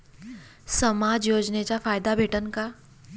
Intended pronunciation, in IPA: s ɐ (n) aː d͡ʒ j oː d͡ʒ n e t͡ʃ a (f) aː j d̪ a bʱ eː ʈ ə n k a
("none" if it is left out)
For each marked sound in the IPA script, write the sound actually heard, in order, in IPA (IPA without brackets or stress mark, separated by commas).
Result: m, f